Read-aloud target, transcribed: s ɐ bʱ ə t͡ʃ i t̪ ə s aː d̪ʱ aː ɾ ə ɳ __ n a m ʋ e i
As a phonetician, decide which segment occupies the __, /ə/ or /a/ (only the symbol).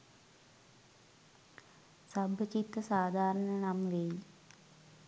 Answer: ə